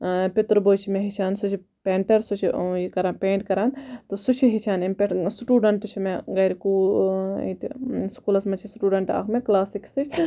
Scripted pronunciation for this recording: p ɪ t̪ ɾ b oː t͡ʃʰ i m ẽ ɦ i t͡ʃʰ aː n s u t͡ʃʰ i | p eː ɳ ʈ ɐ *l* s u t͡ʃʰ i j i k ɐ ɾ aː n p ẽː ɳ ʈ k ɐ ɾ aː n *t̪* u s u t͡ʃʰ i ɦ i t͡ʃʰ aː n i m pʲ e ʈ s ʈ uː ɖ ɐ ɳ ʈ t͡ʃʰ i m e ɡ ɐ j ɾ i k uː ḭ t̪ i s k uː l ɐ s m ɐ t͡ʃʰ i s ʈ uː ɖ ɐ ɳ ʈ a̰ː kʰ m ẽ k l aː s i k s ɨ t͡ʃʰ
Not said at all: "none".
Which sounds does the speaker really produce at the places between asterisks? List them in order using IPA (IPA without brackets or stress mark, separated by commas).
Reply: ɾ, t̪